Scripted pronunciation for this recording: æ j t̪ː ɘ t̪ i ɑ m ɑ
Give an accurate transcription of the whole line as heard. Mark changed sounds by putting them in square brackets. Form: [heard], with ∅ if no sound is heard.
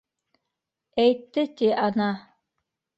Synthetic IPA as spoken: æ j t̪ː ɘ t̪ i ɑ [n] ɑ